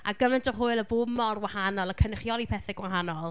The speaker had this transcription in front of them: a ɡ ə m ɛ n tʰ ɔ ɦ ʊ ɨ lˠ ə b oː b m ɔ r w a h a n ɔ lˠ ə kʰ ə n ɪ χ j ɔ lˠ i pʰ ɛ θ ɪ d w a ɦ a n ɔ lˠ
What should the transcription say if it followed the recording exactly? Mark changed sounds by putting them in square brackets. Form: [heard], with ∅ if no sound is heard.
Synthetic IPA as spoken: a ɡ ə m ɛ n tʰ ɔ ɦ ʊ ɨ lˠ ə b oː b m ɔ r w a h a n ɔ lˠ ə kʰ ə n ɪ χ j ɔ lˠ i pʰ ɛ θ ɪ [ɡ] w a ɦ a n ɔ lˠ